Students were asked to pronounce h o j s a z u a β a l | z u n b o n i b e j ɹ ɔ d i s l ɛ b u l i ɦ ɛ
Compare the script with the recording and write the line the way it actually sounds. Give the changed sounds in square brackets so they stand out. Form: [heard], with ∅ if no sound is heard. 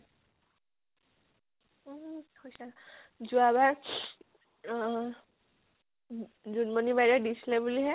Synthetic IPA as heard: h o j s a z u a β a [ɹ] | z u n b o n i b [a] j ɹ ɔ d i s l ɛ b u l i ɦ ɛ